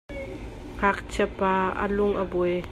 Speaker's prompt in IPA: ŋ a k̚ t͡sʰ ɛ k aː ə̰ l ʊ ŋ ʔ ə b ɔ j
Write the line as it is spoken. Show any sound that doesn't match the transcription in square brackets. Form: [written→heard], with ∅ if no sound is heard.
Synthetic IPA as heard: ŋ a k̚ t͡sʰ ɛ [k→p] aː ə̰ l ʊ ŋ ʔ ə b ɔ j